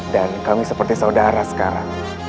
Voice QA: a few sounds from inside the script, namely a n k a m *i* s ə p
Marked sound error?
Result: no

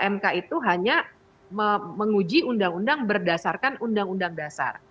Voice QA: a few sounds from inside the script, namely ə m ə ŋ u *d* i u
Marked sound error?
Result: yes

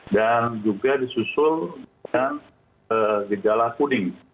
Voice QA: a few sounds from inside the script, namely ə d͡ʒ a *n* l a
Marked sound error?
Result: yes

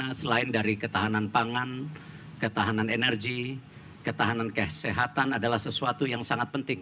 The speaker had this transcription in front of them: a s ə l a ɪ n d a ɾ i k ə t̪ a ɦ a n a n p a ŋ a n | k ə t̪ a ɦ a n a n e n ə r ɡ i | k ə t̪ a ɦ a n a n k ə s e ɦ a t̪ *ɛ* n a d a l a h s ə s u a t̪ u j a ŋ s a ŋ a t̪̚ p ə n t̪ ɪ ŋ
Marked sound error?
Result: yes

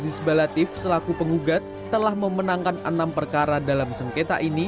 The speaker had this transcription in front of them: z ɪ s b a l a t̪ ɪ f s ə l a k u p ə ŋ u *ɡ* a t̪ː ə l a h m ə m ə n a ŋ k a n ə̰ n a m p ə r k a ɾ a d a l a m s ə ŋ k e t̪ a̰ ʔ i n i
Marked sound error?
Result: no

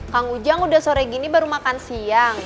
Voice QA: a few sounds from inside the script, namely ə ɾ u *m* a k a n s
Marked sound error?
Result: no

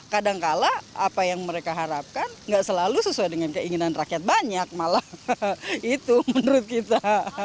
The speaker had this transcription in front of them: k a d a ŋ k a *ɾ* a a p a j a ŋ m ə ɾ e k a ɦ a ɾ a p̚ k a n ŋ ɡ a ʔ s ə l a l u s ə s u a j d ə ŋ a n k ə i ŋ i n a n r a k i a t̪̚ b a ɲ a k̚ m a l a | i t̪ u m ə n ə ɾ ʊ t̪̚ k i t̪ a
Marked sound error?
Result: yes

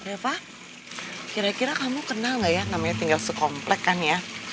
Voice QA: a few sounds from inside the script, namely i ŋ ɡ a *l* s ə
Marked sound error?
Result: no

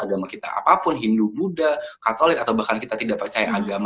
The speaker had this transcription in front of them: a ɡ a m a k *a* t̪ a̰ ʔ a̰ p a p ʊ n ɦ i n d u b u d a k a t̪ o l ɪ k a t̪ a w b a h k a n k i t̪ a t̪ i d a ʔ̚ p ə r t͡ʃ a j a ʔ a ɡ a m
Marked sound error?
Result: yes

